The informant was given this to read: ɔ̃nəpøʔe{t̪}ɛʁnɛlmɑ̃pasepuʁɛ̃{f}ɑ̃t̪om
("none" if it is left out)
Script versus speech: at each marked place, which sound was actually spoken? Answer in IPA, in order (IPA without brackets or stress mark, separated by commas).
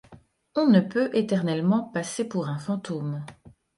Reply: t̪, f